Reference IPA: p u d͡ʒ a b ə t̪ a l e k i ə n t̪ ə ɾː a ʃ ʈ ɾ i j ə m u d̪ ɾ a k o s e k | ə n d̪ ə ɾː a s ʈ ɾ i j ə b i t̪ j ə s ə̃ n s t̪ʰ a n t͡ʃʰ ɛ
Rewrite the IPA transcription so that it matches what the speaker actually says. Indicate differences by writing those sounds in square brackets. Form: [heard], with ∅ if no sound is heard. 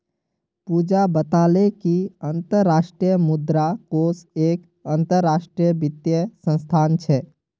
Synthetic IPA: p u d͡ʒ a b ə t̪ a l e k i ə n t̪ ə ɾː a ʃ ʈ ɾ i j ə m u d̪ ɾ a k o s e k | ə n [t̪] ə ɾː a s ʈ ɾ i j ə b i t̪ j ə s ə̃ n s t̪ʰ a n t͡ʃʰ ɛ